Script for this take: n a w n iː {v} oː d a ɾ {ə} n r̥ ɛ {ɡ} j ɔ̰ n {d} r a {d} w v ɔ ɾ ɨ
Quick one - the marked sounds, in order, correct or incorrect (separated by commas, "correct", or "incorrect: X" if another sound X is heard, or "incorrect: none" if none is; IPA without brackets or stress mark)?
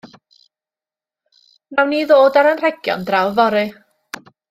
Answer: incorrect: ð, correct, correct, correct, incorrect: none